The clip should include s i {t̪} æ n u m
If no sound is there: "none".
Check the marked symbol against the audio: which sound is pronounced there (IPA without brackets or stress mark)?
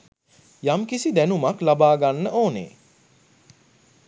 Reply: d̪